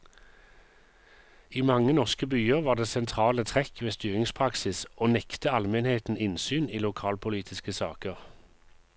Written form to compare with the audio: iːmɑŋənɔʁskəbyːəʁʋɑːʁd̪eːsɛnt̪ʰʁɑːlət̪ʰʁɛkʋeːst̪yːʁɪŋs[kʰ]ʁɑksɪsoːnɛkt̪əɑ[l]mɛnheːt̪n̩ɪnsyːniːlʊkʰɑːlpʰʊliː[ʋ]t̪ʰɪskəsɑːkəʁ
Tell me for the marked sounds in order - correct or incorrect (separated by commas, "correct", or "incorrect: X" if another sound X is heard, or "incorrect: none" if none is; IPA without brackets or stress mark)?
incorrect: pʰ, correct, incorrect: none